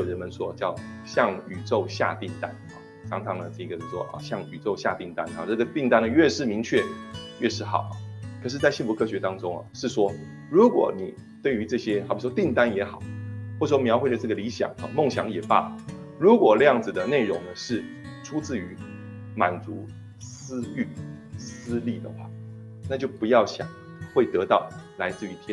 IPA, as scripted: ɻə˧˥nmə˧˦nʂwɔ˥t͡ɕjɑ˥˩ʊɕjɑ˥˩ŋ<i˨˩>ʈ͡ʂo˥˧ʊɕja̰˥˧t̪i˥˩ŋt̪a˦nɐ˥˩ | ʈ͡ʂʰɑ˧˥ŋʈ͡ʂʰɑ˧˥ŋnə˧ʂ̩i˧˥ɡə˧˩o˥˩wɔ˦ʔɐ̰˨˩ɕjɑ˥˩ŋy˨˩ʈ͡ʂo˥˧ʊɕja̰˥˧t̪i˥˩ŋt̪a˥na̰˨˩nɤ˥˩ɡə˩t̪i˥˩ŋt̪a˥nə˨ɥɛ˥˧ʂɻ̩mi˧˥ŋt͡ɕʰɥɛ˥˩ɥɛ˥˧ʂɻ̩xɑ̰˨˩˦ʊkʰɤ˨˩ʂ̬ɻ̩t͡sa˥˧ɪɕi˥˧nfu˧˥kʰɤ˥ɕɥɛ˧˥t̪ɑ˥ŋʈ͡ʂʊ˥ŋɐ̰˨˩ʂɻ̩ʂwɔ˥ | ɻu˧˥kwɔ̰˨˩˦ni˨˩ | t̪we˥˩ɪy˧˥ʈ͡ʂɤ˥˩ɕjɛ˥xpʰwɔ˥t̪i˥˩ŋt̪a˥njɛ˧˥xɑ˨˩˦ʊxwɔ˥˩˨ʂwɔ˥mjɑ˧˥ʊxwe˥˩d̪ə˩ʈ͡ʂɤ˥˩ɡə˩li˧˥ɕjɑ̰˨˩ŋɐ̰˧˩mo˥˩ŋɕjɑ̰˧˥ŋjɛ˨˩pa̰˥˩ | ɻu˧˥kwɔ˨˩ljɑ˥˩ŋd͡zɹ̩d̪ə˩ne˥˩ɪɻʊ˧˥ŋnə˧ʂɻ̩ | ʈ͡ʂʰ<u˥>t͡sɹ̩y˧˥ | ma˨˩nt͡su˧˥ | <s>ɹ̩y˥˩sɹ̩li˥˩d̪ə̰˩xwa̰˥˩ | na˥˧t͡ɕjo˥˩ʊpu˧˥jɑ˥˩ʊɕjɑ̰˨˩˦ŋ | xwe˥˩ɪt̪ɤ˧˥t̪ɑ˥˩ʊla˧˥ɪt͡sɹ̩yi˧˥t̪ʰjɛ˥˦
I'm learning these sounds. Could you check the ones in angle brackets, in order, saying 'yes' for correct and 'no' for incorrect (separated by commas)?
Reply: no, yes, yes